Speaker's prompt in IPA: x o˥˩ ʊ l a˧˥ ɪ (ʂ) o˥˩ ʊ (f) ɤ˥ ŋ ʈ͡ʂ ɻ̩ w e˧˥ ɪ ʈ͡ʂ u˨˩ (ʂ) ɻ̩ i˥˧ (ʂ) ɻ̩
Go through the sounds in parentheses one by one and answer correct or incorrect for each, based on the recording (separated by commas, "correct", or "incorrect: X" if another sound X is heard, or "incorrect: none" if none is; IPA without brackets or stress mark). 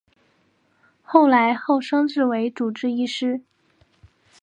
incorrect: x, incorrect: ʂ, incorrect: ʈ͡ʂ, correct